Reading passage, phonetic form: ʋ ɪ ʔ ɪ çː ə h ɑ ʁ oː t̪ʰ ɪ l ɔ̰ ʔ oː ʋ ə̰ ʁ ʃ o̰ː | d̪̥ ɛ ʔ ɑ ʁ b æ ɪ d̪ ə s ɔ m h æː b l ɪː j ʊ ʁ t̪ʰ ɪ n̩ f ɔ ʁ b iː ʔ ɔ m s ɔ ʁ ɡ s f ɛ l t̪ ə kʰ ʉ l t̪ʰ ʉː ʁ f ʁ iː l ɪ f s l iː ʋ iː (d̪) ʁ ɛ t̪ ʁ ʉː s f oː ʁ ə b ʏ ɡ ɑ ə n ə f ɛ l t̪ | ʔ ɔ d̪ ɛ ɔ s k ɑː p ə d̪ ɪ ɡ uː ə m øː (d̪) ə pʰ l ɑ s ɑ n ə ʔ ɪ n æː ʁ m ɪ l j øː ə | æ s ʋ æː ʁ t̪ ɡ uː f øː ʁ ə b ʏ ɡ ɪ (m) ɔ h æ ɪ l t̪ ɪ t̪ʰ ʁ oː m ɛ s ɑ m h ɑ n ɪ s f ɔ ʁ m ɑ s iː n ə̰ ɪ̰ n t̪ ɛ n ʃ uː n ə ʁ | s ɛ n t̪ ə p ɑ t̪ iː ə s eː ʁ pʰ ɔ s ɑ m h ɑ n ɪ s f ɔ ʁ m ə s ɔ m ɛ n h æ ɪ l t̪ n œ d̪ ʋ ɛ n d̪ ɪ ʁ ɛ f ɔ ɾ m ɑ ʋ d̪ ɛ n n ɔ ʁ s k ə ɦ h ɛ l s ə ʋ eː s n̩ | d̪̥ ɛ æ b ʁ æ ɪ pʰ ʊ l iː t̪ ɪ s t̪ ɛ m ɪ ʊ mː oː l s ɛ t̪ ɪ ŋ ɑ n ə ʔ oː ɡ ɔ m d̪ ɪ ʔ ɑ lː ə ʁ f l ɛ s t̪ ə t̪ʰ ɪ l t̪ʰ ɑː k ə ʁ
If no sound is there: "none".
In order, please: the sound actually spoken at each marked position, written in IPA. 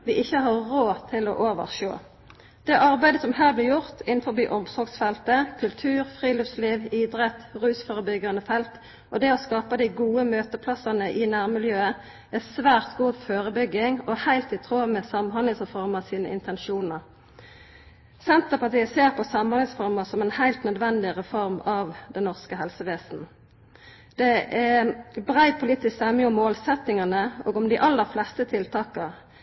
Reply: d̪, t̪, ŋ

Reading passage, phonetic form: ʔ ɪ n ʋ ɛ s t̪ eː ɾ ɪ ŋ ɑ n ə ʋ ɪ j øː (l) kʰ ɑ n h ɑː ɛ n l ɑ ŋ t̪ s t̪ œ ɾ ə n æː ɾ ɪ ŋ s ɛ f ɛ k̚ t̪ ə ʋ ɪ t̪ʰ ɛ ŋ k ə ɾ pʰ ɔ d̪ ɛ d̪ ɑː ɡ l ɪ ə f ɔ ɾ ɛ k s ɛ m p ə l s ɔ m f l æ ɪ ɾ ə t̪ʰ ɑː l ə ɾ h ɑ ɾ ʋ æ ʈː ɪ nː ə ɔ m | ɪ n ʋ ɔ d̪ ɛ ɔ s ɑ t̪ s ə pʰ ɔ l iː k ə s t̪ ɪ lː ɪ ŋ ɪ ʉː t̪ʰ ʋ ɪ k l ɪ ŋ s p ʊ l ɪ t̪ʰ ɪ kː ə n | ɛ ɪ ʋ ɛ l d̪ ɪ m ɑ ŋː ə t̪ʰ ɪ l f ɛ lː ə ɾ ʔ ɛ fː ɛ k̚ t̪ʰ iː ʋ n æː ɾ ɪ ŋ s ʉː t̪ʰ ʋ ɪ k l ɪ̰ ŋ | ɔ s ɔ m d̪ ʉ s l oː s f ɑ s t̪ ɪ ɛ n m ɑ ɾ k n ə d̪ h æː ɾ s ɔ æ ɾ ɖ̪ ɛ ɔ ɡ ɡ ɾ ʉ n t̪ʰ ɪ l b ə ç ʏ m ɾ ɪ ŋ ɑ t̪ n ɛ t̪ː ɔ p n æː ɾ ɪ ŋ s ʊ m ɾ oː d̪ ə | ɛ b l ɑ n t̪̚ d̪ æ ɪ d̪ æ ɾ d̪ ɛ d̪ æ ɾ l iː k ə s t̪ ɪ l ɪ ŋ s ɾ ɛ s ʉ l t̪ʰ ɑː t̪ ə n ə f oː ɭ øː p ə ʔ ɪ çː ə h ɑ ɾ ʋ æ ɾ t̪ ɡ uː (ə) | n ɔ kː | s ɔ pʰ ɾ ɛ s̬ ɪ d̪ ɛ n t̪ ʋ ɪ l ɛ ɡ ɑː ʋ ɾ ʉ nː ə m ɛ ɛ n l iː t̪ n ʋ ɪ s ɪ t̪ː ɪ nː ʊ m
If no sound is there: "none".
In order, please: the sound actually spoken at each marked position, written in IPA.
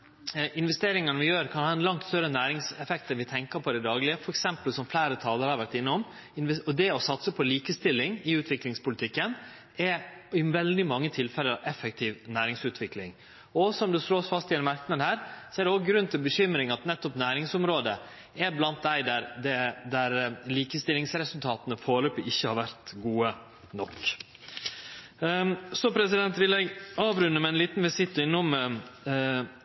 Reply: ɾ, ə

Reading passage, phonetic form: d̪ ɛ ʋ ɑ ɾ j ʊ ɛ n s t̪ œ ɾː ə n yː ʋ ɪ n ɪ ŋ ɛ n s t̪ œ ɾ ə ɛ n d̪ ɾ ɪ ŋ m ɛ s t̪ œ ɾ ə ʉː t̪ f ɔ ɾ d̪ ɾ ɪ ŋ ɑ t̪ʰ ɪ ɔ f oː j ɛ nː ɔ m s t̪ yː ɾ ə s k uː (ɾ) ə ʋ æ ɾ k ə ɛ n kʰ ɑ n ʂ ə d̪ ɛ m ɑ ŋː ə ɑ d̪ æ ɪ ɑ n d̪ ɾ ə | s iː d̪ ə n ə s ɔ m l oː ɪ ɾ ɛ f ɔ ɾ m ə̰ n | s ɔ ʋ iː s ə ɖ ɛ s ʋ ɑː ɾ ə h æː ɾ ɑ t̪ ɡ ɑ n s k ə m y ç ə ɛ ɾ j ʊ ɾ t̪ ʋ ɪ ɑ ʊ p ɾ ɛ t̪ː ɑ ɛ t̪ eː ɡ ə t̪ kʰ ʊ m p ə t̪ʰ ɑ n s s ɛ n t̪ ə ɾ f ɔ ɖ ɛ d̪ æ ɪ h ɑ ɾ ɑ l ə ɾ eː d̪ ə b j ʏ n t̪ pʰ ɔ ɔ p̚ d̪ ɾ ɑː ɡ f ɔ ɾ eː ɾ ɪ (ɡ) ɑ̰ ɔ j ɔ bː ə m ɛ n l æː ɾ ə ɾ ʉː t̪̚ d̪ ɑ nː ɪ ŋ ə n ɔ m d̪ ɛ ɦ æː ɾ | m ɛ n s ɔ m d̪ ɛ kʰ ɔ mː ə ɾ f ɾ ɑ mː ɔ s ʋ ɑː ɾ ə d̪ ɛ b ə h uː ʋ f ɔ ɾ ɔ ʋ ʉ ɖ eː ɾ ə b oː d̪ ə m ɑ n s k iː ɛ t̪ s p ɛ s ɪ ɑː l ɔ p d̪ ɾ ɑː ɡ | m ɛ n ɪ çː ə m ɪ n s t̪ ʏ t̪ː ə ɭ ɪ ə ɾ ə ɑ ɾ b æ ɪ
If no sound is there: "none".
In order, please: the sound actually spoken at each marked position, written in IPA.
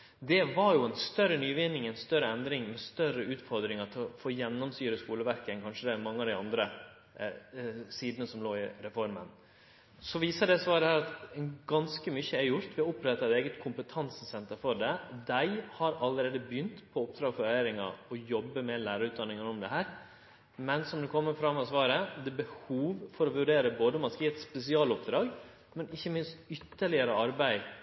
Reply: l, ŋ

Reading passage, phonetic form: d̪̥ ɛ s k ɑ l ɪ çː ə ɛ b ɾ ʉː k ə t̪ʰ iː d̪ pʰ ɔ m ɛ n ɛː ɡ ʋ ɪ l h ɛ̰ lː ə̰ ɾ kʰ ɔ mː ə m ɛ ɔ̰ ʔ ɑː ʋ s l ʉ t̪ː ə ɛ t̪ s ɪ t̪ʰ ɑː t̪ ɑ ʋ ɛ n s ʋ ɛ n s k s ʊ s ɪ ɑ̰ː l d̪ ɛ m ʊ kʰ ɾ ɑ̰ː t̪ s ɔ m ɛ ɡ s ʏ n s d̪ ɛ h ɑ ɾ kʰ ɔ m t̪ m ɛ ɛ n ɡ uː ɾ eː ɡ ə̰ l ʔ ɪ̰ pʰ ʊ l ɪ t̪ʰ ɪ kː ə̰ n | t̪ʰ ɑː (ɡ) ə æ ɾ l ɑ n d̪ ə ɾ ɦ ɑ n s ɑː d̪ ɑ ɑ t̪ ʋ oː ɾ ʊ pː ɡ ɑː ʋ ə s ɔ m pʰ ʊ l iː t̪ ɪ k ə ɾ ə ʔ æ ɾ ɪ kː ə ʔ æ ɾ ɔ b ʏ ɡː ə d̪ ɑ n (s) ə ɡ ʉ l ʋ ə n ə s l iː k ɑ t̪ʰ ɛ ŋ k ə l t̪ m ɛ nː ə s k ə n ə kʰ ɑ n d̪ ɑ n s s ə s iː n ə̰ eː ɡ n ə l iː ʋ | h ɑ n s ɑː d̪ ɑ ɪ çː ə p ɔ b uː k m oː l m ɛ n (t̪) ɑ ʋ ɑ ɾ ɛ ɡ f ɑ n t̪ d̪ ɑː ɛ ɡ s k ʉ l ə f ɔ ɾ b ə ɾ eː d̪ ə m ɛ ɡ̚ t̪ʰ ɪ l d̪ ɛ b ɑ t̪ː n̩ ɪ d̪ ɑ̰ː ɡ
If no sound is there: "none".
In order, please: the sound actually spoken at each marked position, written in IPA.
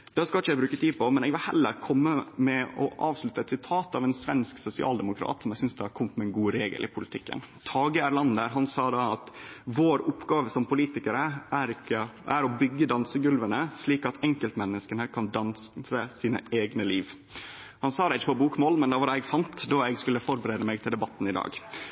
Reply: ɡ, s, d̪

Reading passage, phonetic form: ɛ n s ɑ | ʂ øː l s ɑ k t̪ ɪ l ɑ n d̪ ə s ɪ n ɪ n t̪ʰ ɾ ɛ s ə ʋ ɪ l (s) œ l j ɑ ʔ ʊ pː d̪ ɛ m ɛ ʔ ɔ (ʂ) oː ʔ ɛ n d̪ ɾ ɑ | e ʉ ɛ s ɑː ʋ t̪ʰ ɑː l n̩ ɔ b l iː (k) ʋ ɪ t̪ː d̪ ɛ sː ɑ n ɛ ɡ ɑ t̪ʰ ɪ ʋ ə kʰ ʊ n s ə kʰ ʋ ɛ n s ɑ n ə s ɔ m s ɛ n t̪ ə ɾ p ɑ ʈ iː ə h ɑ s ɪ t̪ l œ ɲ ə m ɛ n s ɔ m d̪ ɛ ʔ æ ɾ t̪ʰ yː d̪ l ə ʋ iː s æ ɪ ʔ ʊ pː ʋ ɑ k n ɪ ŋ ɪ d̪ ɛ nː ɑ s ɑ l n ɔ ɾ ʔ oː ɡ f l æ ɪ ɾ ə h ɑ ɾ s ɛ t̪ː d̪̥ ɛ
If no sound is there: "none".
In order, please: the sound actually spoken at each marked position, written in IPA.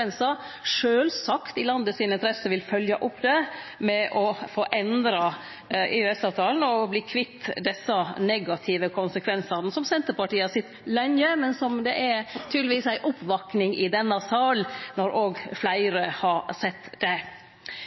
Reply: f, f, kʰ

